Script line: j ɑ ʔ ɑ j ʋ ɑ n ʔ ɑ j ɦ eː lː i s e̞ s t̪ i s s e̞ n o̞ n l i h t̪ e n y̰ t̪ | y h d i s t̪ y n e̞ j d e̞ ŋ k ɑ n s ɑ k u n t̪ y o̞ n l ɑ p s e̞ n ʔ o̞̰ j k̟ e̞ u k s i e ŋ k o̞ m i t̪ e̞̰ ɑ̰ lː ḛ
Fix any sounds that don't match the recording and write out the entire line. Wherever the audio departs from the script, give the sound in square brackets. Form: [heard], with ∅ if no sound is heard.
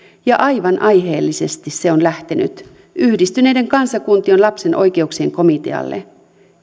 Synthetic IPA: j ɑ ʔ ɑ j ʋ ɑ n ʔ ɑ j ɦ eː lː i s e̞ s t̪ i s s e̞ [∅] o̞ n l [æ] h t̪ e n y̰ t̪ | y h d i s t̪ y n e̞ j d e̞ ŋ k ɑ n s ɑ k u n t̪ [i] o̞ n l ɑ p s e̞ n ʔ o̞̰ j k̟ e̞ u k s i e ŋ k o̞ m i t̪ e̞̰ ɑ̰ lː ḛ